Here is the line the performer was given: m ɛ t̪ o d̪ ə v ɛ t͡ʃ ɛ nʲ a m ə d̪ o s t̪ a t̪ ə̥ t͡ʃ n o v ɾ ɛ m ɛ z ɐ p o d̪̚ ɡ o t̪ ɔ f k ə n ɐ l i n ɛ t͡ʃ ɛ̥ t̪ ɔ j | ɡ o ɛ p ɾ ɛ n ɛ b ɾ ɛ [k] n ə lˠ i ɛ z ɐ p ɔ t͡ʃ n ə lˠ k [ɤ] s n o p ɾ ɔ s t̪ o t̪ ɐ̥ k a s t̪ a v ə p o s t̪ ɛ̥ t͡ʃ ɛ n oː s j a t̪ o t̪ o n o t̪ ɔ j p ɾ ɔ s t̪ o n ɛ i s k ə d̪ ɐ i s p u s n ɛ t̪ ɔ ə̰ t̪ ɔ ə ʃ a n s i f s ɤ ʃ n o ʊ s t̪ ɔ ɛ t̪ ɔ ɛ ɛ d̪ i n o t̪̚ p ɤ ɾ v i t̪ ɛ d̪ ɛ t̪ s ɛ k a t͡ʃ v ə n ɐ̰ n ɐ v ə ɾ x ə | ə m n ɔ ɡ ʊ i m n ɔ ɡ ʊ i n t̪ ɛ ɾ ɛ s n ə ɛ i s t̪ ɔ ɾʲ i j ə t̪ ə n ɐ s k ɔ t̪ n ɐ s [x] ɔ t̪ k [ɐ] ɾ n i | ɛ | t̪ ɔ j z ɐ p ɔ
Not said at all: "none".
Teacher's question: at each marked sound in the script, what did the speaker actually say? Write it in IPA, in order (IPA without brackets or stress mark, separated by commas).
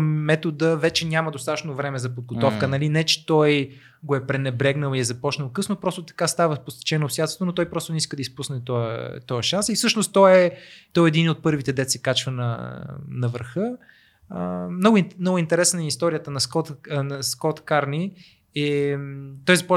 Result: ɡ, ɤ, k, a